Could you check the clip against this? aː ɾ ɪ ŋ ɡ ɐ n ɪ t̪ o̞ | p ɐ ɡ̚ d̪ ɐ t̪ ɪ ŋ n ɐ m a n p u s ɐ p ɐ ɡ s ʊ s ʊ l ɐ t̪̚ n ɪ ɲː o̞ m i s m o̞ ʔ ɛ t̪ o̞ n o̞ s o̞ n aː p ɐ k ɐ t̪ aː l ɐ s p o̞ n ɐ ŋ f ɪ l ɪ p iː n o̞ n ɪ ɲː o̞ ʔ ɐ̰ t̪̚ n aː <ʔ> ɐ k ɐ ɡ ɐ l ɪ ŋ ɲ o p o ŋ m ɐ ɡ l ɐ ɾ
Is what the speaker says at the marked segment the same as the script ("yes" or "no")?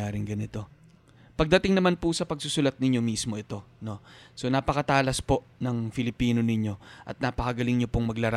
no